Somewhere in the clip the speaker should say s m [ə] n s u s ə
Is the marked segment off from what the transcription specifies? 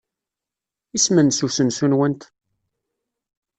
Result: no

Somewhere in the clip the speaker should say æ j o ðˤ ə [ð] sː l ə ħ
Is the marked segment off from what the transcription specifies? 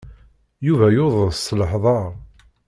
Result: no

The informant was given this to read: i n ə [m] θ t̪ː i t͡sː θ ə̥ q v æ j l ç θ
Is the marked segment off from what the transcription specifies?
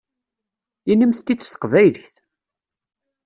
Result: no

